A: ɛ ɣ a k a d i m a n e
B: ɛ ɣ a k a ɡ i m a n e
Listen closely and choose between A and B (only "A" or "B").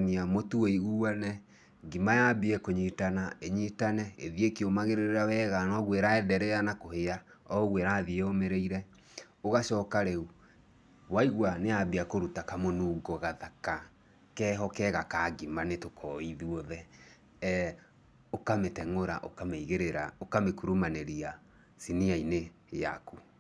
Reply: B